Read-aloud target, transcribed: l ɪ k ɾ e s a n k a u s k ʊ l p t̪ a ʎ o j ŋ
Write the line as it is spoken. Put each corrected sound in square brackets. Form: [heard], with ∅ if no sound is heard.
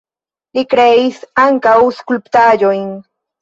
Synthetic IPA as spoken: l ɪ k ɾ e s a [ŋ] k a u s k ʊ l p t̪ a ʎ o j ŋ